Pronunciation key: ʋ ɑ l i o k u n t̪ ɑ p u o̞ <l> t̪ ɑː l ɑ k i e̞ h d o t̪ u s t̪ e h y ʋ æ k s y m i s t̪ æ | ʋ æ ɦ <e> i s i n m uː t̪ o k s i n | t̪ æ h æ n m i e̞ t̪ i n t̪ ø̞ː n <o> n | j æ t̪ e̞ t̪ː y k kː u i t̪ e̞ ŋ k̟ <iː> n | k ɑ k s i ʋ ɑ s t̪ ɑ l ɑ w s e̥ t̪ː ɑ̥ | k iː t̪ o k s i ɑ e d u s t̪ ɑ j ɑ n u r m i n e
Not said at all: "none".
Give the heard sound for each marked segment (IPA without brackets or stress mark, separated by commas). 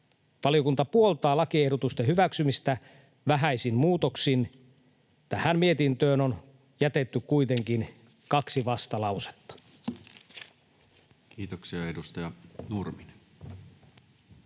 l, æ, o, i